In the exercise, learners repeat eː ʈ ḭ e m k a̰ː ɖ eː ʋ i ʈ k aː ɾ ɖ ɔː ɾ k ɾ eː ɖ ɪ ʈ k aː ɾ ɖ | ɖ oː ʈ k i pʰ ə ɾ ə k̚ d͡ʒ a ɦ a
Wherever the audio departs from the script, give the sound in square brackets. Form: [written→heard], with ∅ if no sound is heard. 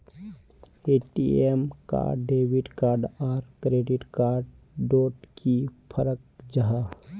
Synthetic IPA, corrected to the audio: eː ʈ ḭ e m k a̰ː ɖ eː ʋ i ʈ k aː ɾ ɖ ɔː ɾ k ɾ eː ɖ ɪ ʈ k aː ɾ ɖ | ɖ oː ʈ k i pʰ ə ɾ ə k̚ d͡ʒ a ɦ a